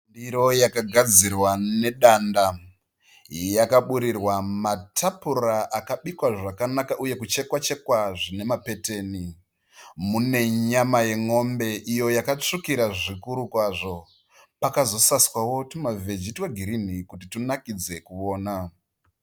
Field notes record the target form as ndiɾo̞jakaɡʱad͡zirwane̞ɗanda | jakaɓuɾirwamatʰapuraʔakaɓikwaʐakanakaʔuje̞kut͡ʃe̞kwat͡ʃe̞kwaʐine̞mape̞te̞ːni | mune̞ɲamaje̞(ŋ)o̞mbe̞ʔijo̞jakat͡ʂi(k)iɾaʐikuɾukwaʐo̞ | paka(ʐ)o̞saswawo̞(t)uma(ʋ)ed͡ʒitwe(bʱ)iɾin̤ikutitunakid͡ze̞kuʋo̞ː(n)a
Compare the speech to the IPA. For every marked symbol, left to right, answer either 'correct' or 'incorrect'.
correct, correct, incorrect: z, correct, incorrect: v, incorrect: ɡʱ, correct

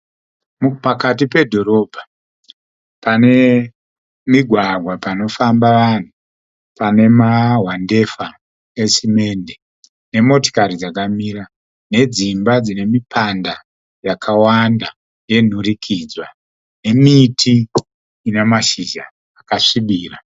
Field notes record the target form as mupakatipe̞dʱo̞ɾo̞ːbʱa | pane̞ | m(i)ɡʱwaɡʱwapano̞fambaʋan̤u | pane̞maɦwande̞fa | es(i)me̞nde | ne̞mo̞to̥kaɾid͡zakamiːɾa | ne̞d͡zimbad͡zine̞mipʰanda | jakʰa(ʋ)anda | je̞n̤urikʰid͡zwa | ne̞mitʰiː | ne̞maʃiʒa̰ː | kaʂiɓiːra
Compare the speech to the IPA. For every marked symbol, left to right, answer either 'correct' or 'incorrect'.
correct, correct, incorrect: w

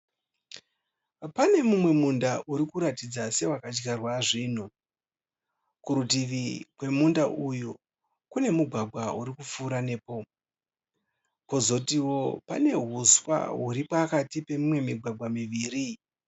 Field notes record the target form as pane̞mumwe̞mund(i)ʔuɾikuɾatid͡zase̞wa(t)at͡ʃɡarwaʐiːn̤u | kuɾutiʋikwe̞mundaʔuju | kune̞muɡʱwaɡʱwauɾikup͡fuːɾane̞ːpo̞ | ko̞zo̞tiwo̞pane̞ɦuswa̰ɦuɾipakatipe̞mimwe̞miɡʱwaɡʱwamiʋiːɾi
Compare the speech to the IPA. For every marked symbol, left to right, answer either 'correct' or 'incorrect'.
incorrect: a, incorrect: k

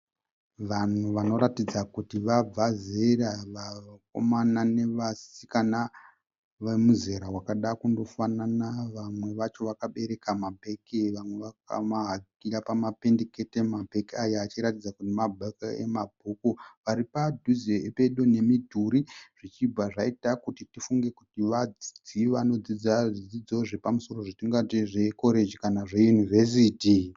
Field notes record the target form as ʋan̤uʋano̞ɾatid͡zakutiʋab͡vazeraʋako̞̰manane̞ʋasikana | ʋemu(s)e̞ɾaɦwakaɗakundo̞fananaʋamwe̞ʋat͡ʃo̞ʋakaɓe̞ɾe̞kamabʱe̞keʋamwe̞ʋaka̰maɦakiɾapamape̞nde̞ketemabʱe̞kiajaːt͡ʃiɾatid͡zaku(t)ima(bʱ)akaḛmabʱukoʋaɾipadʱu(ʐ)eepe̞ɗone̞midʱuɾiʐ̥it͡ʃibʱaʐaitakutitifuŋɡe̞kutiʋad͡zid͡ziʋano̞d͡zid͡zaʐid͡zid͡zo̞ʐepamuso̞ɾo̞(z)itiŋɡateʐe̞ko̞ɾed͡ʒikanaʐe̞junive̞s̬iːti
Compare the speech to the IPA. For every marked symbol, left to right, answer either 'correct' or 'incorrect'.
incorrect: z, correct, correct, incorrect: z, incorrect: ʐ

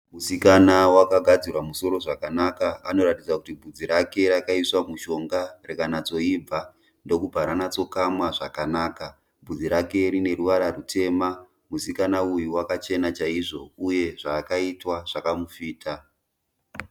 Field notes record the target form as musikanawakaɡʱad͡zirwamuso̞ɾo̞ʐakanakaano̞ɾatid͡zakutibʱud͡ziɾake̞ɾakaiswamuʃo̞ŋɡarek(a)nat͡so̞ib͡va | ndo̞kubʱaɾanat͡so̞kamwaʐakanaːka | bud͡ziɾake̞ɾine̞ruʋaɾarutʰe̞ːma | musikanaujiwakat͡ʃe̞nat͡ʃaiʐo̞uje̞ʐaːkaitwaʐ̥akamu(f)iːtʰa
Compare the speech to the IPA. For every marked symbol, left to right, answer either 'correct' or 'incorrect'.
correct, correct

